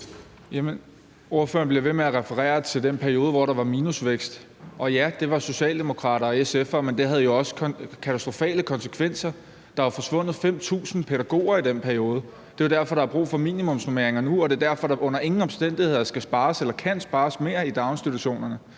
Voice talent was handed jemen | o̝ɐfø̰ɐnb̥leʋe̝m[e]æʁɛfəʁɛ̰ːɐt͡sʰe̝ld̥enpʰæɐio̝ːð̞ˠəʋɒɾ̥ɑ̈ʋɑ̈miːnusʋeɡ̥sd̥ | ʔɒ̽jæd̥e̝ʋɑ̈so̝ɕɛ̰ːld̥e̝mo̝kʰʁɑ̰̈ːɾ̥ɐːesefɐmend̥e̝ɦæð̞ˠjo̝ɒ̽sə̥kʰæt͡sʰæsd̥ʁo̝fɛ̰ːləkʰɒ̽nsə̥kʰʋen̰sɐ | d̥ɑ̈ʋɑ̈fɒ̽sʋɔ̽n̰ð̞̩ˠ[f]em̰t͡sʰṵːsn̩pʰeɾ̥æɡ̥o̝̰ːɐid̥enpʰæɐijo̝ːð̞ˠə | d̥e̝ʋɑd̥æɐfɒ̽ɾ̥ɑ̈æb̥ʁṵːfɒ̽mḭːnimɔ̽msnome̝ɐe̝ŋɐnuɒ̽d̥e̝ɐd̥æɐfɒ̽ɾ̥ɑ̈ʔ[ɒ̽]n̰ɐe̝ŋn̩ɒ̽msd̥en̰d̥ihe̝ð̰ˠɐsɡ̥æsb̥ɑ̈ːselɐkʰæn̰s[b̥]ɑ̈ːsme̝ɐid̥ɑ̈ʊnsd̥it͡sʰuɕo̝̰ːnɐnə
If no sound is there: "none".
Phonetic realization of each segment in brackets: e, f, ɔ̽, b̥

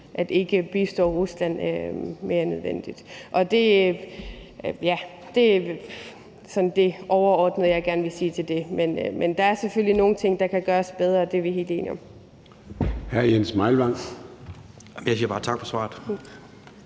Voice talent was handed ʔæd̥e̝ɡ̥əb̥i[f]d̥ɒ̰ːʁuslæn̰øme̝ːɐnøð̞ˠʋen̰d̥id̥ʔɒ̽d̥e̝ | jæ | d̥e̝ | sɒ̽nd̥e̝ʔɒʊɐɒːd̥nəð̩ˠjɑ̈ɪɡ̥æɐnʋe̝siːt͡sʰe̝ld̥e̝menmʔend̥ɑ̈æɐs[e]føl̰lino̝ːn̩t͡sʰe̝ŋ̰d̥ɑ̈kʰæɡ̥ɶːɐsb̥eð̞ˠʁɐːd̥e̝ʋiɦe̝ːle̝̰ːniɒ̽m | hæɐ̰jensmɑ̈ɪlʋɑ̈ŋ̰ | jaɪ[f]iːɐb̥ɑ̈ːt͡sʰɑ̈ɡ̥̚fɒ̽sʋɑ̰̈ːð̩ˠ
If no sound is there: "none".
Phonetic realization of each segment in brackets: s, e, s

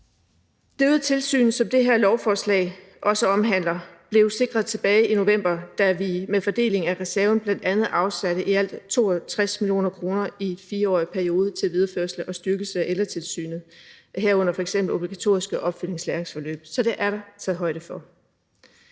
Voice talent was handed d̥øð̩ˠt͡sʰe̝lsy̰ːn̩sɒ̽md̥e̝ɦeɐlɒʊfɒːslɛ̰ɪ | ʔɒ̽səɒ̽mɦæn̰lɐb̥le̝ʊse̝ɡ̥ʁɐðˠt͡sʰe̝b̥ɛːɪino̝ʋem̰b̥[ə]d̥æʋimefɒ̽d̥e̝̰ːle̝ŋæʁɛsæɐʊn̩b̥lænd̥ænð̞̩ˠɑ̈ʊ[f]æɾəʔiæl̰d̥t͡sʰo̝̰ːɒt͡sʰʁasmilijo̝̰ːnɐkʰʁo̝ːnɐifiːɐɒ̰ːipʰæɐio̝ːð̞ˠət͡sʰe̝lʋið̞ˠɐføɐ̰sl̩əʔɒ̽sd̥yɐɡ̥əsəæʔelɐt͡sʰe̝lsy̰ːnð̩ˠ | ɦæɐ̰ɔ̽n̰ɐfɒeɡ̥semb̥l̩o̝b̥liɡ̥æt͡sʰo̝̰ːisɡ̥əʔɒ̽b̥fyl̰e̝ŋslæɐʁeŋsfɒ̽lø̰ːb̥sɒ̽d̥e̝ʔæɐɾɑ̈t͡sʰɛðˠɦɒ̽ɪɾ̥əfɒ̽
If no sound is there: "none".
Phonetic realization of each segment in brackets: ɐ, s

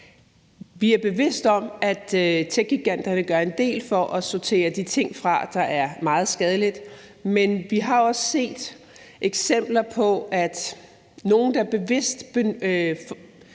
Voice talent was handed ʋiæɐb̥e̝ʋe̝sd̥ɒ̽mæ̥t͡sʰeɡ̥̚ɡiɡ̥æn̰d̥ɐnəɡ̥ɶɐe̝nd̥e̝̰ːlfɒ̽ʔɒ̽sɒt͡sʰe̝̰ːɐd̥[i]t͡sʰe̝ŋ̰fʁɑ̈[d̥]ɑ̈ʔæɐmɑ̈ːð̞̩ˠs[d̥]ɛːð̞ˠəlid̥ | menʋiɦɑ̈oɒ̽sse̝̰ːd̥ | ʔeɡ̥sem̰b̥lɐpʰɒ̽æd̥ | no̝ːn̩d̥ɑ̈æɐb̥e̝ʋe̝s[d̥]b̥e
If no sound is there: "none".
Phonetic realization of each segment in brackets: i, d̥, ɡ̥, d̥

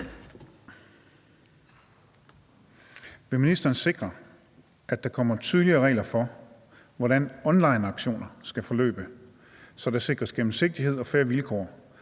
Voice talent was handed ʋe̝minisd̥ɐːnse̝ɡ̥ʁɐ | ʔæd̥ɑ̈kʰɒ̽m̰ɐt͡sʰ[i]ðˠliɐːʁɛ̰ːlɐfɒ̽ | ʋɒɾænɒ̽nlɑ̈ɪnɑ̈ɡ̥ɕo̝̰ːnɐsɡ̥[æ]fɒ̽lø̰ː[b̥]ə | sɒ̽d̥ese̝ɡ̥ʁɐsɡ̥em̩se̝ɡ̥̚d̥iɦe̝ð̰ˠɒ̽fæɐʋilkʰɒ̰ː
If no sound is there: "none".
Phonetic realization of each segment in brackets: y, æ, b̥

